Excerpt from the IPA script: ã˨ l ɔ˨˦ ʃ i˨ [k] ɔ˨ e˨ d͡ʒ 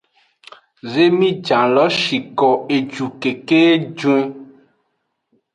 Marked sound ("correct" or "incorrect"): correct